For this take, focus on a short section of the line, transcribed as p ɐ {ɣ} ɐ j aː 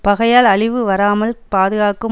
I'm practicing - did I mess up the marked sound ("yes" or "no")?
no